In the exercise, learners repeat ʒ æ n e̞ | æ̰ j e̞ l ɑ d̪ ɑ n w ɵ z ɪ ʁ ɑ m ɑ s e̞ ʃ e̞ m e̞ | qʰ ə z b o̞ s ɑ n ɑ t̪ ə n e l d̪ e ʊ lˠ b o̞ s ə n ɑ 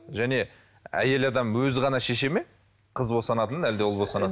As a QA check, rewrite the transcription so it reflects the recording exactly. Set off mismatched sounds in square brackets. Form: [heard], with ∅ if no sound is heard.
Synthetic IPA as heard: ʒ æ n e̞ | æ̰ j e̞ l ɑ d̪ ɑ [m] w ɵ z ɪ ʁ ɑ [n] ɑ [ʃ] e̞ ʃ e̞ m e̞ | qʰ ə z b o̞ s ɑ n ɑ t̪ ə n [æ] l d̪ e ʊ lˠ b o̞ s [ɑ] n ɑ